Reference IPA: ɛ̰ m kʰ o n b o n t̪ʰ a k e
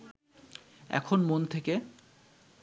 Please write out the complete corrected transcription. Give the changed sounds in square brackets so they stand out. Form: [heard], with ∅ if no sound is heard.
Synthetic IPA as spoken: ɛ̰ [∅] kʰ o n [m] o n t̪ʰ [e] k e